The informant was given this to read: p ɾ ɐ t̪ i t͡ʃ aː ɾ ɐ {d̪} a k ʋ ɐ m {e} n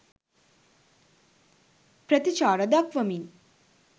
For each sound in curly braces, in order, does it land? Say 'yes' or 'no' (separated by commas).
yes, no